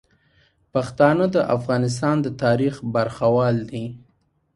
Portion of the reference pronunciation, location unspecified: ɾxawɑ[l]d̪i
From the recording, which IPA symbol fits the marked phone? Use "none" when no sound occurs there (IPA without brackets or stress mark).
l